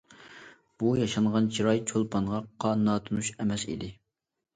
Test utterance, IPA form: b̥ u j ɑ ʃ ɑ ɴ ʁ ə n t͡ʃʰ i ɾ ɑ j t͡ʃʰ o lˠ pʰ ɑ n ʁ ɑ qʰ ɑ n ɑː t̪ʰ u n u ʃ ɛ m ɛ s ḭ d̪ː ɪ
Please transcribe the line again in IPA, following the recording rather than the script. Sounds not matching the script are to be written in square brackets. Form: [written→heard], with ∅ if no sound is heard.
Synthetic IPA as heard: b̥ u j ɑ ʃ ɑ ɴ ʁ [ə→ɑ] n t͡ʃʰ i ɾ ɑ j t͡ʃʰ o lˠ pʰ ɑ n ʁ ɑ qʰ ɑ n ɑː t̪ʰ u n u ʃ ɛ m ɛ s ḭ [d̪ː→d̪] ɪ